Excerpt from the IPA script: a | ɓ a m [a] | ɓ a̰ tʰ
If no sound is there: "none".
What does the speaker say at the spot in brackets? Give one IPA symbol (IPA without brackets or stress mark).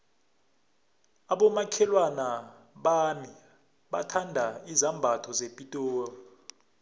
i